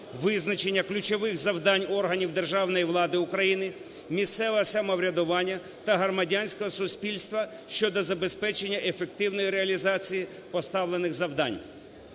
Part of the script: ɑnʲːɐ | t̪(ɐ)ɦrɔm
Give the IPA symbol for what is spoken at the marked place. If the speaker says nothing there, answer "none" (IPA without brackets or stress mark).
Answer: ɐ